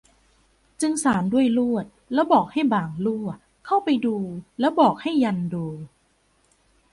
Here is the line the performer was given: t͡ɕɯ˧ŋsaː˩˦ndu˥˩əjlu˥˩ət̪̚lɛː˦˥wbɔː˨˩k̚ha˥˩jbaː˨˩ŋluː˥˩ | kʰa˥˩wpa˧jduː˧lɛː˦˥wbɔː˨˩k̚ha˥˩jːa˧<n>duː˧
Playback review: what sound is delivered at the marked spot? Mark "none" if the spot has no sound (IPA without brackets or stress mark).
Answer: n